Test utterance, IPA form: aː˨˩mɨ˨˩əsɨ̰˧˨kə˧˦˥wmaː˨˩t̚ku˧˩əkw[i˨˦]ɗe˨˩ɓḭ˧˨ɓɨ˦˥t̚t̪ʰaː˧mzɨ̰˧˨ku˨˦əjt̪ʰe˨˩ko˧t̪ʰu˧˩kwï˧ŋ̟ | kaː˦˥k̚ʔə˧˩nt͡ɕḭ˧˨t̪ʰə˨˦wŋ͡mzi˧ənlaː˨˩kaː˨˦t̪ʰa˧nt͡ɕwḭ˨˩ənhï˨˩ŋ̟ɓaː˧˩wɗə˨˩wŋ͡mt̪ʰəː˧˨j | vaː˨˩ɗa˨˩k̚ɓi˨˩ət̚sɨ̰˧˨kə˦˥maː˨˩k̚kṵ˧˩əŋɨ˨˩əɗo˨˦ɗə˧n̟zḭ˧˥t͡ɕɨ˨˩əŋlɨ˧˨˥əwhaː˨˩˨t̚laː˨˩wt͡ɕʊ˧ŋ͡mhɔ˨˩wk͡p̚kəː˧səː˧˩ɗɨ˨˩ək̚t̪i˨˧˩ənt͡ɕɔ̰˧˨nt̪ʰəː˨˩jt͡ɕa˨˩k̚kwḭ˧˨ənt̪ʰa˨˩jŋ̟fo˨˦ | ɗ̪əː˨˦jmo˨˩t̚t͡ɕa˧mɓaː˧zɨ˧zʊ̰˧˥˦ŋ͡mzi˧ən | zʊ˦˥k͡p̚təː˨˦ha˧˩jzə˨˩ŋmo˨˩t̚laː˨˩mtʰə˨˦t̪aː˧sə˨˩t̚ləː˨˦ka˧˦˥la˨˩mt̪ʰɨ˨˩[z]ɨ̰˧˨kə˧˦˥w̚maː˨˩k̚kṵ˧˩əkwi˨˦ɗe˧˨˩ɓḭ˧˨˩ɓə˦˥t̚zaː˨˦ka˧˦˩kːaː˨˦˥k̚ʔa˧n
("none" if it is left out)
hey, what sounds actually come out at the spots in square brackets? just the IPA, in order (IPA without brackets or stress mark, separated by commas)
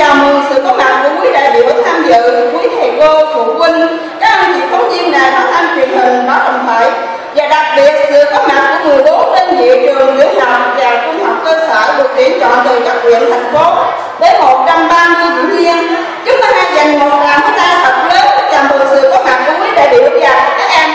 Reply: i˨˦, s